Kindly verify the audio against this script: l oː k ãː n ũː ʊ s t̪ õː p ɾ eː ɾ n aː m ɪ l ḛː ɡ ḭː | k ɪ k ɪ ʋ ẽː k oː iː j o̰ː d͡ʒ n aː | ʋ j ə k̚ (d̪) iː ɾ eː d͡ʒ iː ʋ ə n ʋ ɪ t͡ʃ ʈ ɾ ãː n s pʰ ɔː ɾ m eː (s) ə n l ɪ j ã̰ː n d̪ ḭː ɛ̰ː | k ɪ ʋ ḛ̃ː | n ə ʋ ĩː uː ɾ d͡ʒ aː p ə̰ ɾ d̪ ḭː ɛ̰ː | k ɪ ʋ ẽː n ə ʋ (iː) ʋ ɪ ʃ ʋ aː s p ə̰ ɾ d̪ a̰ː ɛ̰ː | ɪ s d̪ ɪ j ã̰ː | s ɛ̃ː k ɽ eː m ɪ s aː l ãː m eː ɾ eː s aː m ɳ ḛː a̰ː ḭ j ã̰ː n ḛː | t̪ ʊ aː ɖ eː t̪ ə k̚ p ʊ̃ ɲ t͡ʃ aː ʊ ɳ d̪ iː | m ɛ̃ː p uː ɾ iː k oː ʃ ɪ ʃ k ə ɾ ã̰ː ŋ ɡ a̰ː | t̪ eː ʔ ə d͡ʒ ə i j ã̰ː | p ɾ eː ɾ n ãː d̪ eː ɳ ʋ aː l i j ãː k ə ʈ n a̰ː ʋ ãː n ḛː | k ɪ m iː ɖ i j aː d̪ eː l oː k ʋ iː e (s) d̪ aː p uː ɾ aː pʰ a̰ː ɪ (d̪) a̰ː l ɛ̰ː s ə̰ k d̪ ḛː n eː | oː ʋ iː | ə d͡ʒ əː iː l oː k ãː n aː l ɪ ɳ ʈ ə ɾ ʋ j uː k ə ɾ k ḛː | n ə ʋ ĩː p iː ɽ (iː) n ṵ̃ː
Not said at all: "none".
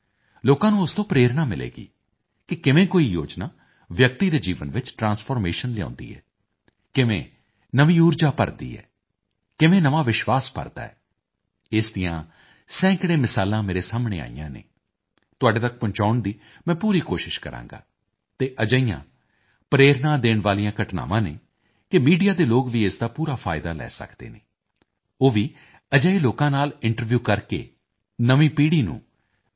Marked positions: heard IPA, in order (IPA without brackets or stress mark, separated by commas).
t̪, ʃ, aː, s, d̪, iː